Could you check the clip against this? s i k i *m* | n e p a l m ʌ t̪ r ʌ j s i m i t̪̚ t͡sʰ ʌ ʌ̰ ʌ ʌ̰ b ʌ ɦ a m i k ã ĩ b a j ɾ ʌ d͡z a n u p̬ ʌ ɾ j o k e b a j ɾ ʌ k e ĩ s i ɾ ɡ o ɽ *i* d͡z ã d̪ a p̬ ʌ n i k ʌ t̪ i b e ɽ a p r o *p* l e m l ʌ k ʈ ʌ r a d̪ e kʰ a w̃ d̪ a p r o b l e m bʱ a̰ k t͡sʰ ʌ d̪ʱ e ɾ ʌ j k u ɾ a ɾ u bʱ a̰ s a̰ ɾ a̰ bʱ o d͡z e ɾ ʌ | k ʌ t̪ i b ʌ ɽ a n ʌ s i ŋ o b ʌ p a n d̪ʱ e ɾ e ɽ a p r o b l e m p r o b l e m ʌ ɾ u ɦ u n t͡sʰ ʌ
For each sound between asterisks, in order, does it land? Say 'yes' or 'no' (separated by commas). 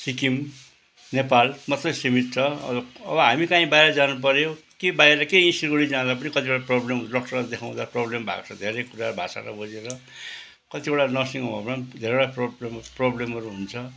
yes, yes, no